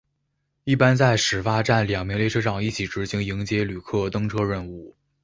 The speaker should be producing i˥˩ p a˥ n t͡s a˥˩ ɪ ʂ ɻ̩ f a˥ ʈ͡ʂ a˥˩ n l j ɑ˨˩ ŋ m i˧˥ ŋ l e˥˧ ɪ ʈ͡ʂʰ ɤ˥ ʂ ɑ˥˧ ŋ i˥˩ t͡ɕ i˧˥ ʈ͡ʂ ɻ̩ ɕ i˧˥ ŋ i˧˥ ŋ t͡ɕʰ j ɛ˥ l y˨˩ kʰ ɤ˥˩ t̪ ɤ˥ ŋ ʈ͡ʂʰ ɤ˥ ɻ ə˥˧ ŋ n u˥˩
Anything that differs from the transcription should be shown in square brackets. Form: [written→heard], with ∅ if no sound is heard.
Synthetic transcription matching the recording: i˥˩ p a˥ n t͡s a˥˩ ɪ ʂ ɻ̩ f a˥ ʈ͡ʂ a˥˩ n l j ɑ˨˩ ŋ m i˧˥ ŋ l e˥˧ ɪ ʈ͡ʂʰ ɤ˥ ʂ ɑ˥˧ ŋ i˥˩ [t͡ɕ→t͡ɕʰ] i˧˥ ʈ͡ʂ ɻ̩ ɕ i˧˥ ŋ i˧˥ ŋ [t͡ɕʰ→t͡ɕ] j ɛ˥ l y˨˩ kʰ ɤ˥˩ t̪ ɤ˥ ŋ ʈ͡ʂʰ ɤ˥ ɻ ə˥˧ [ŋ→∅] n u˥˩

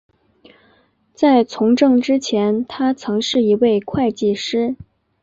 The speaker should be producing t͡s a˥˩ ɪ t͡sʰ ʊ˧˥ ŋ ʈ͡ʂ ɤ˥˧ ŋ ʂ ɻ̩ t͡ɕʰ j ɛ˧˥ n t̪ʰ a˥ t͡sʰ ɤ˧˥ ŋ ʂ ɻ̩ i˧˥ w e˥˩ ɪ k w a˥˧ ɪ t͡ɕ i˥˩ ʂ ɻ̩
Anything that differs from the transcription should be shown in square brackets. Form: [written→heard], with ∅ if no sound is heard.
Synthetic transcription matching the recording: t͡s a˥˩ ɪ t͡sʰ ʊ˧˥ ŋ ʈ͡ʂ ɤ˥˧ ŋ [ʂ→ʈ͡ʂ] ɻ̩ t͡ɕʰ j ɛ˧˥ n t̪ʰ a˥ t͡sʰ ɤ˧˥ ŋ ʂ ɻ̩ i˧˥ w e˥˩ ɪ [k→kʰ] w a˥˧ ɪ t͡ɕ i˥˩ ʂ ɻ̩

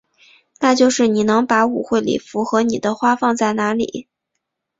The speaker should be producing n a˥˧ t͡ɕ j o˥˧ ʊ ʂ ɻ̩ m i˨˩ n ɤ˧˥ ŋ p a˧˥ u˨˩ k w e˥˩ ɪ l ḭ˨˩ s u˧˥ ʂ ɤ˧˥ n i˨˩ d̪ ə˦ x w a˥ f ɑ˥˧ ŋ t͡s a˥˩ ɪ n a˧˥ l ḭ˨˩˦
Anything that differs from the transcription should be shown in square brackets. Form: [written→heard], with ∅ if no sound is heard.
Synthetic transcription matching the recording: n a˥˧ t͡ɕ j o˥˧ ʊ ʂ ɻ̩ [m→n] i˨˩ n ɤ˧˥ ŋ p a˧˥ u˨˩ [k→x] w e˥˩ ɪ l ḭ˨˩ [s→f] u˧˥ [ʂ→x] ɤ˧˥ n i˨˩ d̪ ə˦ x w a˥ f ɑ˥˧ ŋ t͡s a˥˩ ɪ n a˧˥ l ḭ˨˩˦

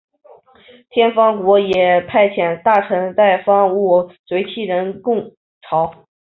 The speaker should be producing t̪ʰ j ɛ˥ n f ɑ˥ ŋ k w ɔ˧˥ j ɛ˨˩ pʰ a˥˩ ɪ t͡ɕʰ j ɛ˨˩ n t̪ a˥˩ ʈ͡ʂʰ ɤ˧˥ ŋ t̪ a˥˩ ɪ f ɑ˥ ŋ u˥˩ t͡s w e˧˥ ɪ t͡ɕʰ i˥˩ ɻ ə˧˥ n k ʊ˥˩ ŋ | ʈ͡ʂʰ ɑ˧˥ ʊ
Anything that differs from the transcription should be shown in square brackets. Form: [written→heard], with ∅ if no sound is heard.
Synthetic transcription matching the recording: t̪ʰ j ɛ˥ n f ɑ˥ ŋ k w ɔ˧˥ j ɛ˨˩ pʰ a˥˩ ɪ t͡ɕʰ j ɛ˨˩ n t̪ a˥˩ ʈ͡ʂʰ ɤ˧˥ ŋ t̪ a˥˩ ɪ f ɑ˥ ŋ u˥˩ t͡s w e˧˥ ɪ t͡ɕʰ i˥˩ ɻ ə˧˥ n k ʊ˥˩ ŋ | ʈ͡ʂʰ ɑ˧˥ ʊ

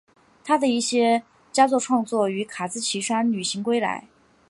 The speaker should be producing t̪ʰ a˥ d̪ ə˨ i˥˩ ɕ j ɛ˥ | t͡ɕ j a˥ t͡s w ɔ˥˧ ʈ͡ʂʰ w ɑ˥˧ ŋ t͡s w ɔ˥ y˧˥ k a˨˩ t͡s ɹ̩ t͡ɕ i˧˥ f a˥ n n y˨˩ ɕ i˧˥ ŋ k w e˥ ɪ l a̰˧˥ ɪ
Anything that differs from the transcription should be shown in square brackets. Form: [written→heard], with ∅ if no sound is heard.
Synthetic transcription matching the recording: t̪ʰ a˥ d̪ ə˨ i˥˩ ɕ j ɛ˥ | t͡ɕ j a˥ t͡s w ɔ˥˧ ʈ͡ʂʰ w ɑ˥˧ ŋ t͡s w [ɔ˥→ɔ˥˩] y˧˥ [k→kʰ] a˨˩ t͡s ɹ̩ [t͡ɕ→t͡ɕʰ] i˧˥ [f→ʂ] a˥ n n y˨˩ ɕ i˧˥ ŋ k w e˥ ɪ l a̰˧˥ ɪ

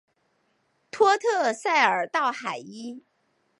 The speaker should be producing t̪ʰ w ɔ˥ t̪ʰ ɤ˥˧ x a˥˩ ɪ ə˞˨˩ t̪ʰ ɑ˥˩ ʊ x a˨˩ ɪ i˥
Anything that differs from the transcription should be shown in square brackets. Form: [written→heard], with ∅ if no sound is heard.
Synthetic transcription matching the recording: t̪ʰ w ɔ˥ t̪ʰ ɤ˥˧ [x→s] a˥˩ ɪ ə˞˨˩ [t̪ʰ→t̪] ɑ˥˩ ʊ x a˨˩ ɪ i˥

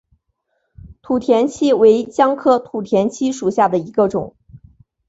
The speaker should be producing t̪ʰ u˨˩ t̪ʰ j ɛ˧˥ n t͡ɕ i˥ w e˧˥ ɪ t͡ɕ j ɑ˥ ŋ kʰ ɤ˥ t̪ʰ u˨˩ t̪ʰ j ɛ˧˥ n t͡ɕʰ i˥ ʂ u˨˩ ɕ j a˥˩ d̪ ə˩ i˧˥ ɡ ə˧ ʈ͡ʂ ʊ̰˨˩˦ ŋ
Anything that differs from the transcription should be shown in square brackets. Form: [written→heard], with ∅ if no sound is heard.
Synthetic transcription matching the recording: t̪ʰ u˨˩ t̪ʰ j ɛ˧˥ n [t͡ɕ→t͡ɕʰ] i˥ w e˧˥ ɪ t͡ɕ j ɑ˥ ŋ kʰ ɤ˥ t̪ʰ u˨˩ t̪ʰ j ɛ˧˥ n t͡ɕʰ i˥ ʂ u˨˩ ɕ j a˥˩ d̪ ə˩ i˧˥ ɡ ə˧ ʈ͡ʂ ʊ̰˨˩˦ ŋ

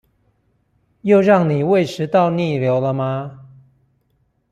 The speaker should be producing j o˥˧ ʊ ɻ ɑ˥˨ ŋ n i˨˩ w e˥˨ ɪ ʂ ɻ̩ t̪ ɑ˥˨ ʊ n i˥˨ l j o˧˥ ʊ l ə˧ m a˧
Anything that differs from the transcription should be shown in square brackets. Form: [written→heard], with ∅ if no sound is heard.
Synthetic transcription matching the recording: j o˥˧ ʊ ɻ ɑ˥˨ ŋ n i˨˩ w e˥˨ ɪ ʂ ɻ̩ t̪ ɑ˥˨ ʊ n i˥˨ l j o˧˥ ʊ l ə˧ m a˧

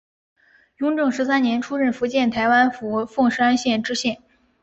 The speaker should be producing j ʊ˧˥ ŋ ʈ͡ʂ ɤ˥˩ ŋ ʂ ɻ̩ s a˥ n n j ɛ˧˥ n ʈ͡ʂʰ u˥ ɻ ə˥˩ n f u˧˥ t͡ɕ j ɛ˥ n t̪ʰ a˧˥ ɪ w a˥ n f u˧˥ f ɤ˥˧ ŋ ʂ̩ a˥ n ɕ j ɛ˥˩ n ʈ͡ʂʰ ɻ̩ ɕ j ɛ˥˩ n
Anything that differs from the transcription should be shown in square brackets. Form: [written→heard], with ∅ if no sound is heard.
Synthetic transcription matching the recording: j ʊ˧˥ ŋ ʈ͡ʂ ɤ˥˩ ŋ ʂ ɻ̩ s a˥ n n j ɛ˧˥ n ʈ͡ʂʰ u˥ ɻ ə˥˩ n f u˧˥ t͡ɕ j [ɛ˥→ɛ˥˩] n t̪ʰ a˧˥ ɪ w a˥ n f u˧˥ f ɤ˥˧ ŋ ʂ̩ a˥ n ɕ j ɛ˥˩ n [ʈ͡ʂʰ→ʈ͡ʂ] ɻ̩ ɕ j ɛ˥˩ n

